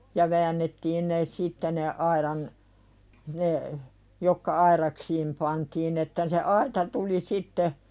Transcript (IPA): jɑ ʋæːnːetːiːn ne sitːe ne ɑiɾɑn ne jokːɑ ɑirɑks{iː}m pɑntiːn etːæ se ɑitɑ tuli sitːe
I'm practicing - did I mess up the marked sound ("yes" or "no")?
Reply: no